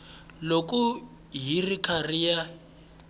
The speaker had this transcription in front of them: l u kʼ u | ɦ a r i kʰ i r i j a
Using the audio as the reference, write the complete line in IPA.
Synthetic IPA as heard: l o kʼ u | ɦ i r i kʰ a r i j a